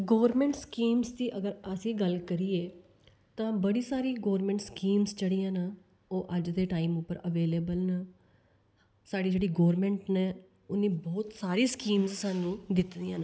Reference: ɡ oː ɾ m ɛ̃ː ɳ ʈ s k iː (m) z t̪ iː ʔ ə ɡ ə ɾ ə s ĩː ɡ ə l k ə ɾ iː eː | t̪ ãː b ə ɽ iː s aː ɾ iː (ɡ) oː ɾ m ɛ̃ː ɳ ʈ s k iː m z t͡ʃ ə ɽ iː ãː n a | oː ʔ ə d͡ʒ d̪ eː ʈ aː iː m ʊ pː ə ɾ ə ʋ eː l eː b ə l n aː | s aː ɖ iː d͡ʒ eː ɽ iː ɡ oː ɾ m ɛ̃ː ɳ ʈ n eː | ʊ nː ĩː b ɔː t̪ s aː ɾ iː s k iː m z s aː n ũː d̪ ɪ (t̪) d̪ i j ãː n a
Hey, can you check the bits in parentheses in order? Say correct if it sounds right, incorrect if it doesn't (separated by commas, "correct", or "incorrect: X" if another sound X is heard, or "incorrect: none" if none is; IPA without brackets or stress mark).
correct, correct, correct